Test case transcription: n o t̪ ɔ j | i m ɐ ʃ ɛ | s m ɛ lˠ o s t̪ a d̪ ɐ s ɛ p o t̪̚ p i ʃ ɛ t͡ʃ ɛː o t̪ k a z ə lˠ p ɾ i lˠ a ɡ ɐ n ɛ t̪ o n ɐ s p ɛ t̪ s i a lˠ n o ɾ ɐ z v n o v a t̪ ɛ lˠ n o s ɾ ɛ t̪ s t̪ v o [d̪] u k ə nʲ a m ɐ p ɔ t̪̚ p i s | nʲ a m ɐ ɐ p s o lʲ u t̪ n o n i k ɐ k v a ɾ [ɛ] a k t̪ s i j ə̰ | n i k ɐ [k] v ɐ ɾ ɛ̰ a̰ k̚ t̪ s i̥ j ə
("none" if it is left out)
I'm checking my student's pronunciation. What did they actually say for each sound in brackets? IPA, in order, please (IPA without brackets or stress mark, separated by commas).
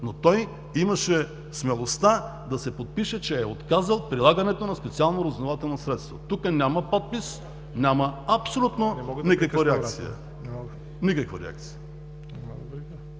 t̪, ɛ, k